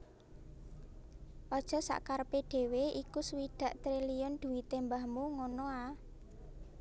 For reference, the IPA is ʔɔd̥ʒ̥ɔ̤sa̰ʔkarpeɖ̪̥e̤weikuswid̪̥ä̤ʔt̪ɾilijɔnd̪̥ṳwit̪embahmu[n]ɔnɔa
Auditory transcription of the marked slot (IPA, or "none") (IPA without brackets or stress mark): ŋ